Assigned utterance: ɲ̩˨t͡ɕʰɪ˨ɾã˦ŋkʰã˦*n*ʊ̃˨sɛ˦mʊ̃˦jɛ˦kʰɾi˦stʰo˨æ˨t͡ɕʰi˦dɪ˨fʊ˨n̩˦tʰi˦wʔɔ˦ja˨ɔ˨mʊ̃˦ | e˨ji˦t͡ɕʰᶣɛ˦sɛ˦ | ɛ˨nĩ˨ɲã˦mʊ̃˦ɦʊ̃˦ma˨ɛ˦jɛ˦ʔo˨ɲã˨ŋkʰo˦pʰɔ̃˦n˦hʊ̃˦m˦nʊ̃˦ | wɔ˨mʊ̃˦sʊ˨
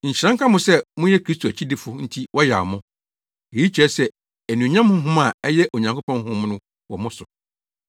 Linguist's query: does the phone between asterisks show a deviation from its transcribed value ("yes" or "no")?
yes